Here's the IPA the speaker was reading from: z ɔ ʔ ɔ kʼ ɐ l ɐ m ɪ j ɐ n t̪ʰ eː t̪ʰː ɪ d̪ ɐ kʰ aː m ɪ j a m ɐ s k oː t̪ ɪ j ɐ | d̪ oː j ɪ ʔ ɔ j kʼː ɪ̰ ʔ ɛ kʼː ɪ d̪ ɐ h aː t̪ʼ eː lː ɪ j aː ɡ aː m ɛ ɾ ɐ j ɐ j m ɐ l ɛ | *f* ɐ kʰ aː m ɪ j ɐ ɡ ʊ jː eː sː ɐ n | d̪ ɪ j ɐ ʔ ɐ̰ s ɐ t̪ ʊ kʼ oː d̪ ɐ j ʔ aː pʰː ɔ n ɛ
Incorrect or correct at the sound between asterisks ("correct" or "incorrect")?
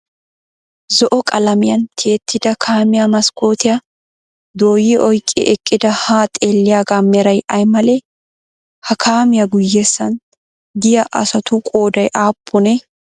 incorrect